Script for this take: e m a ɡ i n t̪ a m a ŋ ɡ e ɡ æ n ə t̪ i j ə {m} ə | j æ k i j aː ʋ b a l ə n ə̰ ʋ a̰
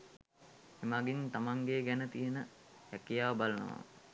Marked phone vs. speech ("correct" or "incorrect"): incorrect